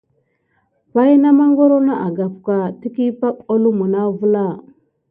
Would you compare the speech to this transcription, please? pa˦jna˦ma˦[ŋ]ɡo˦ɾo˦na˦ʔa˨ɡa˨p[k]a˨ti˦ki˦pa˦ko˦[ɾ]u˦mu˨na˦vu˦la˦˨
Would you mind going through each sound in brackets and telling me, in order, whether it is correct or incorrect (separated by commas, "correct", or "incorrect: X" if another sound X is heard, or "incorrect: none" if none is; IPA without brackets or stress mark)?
correct, correct, incorrect: l